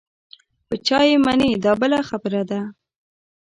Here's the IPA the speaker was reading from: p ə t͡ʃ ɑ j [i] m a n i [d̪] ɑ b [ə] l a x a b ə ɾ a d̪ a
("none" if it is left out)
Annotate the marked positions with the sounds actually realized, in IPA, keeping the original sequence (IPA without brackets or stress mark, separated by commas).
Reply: e, d̪, ə